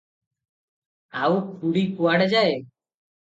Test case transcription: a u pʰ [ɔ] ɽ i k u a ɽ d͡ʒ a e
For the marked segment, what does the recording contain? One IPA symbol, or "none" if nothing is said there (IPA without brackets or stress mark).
u